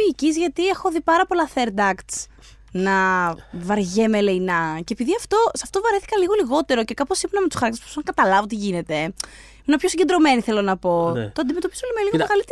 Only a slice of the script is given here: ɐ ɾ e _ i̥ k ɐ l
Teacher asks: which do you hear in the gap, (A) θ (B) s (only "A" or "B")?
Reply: A